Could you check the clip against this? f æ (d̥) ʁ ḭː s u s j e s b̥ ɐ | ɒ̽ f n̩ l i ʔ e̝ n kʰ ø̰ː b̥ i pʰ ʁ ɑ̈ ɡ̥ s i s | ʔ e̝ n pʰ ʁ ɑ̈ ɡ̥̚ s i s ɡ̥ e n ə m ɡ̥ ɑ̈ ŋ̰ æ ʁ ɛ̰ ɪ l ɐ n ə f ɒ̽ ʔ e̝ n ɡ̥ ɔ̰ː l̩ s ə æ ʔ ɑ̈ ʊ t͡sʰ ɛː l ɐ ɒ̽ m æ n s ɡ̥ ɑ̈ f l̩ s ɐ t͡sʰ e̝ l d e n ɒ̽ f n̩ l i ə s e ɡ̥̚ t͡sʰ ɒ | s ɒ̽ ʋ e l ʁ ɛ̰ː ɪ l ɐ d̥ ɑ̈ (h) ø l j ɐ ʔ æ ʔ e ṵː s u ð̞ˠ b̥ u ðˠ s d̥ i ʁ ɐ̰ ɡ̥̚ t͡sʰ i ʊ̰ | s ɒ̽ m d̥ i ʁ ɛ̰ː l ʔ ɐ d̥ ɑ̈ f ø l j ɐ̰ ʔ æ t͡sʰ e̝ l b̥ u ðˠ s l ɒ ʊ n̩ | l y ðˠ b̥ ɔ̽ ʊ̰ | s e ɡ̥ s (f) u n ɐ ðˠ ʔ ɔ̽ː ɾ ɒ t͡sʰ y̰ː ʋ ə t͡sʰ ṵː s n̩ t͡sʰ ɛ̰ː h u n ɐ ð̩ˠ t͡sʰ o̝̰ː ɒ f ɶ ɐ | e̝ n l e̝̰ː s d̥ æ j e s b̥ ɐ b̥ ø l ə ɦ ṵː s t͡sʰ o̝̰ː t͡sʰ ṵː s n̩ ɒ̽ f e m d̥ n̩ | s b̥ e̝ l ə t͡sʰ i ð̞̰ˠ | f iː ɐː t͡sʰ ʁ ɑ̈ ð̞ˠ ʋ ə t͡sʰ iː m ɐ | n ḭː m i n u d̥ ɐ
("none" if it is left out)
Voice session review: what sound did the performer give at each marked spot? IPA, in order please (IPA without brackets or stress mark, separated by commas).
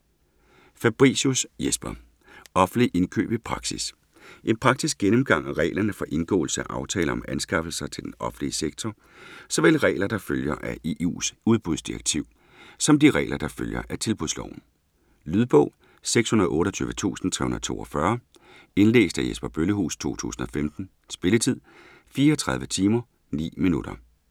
b̥, f, h